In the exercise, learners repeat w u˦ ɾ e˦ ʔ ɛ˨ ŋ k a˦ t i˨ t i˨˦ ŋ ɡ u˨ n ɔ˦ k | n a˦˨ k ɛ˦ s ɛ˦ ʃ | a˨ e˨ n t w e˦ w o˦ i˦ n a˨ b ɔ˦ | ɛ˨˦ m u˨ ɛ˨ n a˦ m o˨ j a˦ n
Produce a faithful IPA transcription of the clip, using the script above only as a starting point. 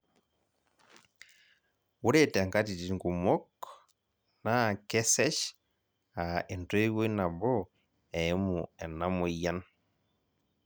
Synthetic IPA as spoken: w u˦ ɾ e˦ t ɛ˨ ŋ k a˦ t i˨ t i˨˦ ŋ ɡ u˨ m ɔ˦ k | n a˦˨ k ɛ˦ s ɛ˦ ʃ | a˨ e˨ n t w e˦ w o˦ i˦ n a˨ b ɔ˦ | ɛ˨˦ m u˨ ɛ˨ n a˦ m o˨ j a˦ n